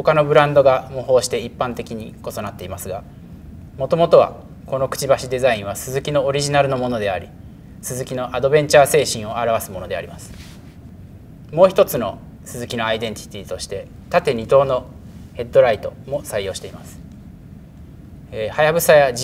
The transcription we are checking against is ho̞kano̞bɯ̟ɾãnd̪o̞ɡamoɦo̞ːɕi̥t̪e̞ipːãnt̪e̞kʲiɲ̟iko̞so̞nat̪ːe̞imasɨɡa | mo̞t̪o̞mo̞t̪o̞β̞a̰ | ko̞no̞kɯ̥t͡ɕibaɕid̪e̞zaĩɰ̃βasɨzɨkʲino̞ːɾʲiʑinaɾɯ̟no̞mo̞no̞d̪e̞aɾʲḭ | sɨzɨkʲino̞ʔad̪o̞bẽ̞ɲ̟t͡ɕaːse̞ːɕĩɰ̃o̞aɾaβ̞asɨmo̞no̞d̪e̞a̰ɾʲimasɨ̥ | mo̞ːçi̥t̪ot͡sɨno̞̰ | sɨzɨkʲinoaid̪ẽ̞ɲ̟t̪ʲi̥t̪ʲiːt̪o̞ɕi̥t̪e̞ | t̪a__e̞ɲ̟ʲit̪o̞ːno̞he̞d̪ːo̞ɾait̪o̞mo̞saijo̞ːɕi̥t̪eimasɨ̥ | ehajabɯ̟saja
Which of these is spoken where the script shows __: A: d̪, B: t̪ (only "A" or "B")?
B